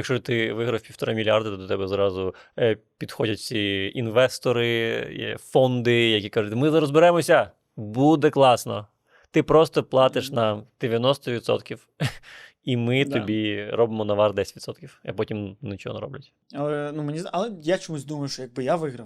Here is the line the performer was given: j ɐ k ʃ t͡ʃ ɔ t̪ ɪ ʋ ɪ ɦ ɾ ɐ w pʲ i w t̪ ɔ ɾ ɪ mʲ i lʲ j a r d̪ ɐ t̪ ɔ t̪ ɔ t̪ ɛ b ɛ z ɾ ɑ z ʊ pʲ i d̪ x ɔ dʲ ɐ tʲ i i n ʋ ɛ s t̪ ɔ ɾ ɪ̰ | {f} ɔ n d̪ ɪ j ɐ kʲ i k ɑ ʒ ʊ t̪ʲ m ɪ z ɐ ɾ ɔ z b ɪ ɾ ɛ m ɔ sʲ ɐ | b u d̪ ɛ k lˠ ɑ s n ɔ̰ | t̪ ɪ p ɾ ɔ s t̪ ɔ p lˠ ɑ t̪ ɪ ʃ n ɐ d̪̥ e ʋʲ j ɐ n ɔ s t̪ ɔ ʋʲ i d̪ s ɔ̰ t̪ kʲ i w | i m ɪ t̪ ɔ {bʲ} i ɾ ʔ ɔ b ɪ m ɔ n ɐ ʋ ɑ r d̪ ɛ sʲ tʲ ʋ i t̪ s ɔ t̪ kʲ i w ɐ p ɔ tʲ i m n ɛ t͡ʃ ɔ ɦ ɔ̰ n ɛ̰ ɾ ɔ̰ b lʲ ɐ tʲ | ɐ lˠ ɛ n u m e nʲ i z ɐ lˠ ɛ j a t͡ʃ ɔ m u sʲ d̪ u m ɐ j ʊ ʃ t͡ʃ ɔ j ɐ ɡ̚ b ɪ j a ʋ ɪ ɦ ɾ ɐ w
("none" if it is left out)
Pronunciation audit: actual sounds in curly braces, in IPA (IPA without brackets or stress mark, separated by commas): f, bʲ